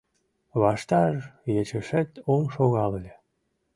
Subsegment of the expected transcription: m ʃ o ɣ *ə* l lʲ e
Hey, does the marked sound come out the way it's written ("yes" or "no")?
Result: no